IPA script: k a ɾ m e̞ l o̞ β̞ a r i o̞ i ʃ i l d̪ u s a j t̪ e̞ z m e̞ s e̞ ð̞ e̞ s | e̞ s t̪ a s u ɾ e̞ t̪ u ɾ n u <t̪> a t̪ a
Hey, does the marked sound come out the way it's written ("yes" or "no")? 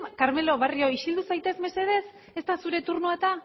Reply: no